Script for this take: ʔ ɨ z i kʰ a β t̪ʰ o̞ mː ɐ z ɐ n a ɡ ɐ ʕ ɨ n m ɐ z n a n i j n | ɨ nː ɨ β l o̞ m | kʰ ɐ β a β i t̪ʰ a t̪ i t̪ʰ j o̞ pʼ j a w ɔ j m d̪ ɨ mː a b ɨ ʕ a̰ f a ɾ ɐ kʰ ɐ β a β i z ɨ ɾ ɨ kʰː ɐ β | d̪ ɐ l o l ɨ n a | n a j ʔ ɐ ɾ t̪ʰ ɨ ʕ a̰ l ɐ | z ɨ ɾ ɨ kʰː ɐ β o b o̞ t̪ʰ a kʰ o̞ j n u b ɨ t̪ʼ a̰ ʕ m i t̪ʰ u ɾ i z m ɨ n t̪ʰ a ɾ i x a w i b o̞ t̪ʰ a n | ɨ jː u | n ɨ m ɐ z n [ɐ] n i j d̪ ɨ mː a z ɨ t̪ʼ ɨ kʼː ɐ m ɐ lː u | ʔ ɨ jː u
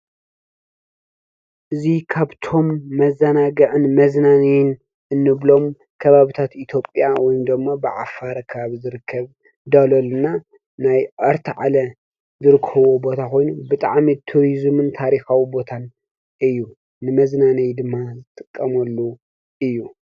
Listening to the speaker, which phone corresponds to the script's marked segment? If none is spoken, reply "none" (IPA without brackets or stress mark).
a